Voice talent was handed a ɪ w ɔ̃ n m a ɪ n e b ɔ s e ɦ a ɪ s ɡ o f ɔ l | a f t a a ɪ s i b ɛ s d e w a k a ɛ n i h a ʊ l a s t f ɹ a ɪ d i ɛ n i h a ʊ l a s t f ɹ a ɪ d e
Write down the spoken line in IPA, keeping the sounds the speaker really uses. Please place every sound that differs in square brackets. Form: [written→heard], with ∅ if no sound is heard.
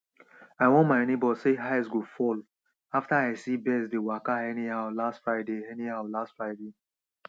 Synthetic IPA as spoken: a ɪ w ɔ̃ n m a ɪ n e b ɔ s e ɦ a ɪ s ɡ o f ɔ l | a f t a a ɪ s i b ɛ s d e w a k a ɛ n i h a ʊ l a s t f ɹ a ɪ d [i→e] ɛ n i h a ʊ l a s t f ɹ a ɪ d e